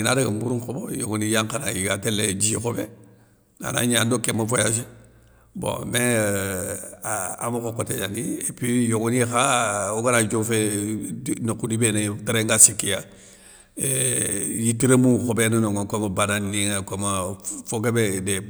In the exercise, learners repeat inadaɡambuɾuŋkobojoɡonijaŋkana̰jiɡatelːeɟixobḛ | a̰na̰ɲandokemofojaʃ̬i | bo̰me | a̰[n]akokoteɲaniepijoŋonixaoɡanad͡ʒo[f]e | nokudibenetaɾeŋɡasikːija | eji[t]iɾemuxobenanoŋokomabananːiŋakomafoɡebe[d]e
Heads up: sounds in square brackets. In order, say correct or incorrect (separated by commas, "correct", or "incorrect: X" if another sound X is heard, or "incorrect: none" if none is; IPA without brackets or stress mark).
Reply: incorrect: m, correct, correct, correct